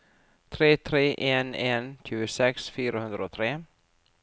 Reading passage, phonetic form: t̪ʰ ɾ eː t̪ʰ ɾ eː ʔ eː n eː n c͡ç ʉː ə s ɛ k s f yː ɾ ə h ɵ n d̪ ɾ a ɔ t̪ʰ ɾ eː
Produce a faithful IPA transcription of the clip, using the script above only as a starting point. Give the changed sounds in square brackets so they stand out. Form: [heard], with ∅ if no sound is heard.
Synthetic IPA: t̪ʰ ɾ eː t̪ʰ ɾ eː ʔ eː n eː n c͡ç ʉː ə s ɛ k s f yː ɾ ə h ɵ n d̪ ɾ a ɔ t̪ʰ ɾ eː